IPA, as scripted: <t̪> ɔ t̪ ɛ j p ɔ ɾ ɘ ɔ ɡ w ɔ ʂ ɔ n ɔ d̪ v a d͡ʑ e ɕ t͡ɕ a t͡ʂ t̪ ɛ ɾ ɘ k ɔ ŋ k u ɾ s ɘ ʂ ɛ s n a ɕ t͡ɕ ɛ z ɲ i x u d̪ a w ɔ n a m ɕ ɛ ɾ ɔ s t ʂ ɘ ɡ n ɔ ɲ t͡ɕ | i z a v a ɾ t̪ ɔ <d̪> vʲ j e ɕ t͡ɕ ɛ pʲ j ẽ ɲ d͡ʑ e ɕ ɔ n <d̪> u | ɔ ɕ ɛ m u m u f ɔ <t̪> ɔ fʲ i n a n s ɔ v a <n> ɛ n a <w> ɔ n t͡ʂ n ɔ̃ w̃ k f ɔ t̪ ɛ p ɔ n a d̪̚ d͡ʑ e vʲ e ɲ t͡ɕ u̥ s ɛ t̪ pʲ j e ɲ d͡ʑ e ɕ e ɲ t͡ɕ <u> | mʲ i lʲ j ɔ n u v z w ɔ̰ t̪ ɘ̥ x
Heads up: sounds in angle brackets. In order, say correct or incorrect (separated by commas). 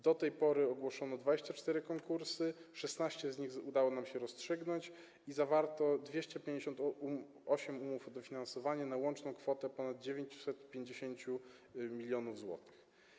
incorrect, correct, incorrect, incorrect, incorrect, correct, correct